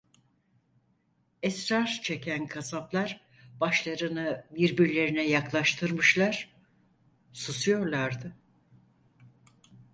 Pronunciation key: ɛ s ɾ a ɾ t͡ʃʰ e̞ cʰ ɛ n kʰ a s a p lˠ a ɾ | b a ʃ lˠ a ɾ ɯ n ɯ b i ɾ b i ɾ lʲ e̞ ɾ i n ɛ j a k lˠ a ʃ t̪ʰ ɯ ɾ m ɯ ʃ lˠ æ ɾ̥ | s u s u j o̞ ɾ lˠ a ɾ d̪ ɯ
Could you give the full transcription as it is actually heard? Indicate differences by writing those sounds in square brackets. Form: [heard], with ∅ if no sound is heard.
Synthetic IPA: ɛ s ɾ a ɾ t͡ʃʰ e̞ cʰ [æ] n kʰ a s a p lˠ a ɾ | b a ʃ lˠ a ɾ ɯ n ɯ b i ɾ b i ɾ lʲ e̞ ɾ i n ɛ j a k lˠ a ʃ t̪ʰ ɯ ɾ m ɯ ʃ lˠ [a] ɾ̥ | s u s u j o̞ ɾ lˠ a ɾ d̪ ɯ